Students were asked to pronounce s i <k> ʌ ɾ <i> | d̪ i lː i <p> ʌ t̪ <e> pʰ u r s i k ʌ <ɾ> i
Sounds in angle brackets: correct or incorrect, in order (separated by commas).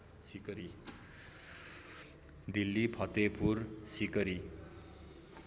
correct, correct, incorrect, correct, correct